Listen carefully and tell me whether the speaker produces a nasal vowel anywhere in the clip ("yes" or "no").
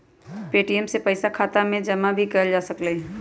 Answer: yes